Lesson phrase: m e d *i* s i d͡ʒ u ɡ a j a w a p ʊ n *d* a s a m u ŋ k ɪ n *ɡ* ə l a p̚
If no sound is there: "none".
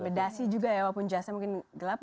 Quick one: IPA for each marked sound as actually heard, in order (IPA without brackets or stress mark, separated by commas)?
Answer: a, d͡ʒ, ɡ